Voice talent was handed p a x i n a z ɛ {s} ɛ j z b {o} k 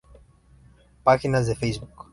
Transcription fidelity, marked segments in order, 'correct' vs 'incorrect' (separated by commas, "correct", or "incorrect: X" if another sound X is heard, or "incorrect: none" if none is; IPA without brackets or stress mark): incorrect: f, incorrect: u